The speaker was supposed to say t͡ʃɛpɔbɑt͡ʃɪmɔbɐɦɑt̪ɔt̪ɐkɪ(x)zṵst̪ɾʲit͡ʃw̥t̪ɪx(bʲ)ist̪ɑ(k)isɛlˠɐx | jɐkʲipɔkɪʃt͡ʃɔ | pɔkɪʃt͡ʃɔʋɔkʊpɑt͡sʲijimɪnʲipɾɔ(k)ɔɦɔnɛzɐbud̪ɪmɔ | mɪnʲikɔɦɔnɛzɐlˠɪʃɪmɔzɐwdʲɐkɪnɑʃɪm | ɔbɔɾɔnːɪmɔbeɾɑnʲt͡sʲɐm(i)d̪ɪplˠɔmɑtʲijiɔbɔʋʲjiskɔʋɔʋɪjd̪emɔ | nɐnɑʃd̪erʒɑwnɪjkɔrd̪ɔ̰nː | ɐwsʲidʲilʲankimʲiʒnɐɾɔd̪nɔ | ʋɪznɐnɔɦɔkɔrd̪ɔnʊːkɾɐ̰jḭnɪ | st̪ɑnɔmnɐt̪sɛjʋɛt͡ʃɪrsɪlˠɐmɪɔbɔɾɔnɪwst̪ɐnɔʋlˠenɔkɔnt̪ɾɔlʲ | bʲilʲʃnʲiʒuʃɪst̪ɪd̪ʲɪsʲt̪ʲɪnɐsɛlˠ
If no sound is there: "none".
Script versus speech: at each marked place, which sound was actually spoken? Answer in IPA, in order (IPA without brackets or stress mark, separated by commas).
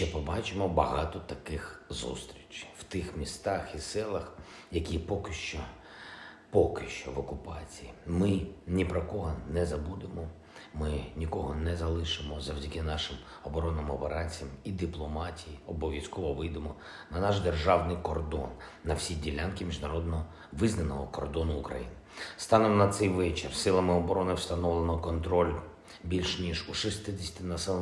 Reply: x, mʲ, x, k, i